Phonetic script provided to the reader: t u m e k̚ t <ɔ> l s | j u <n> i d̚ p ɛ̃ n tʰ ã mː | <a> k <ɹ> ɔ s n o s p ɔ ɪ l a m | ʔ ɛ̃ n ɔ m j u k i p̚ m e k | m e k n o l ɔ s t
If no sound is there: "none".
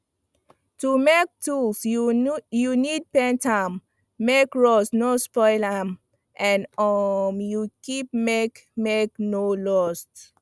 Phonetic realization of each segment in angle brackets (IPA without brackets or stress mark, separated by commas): u, n, e, ɹ